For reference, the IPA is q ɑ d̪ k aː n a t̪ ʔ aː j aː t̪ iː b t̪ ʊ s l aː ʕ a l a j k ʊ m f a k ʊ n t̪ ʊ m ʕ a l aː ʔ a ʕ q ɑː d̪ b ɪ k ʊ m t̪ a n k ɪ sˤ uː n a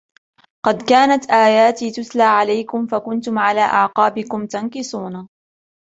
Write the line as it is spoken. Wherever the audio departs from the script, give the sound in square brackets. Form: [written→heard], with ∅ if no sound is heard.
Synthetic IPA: q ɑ d̪ k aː n a t̪ ʔ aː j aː t̪ iː [b→∅] t̪ ʊ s l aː ʕ a l a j k ʊ m f a k ʊ n t̪ ʊ m ʕ a l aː ʔ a ʕ q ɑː [d̪→∅] b ɪ k ʊ m t̪ a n k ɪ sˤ uː n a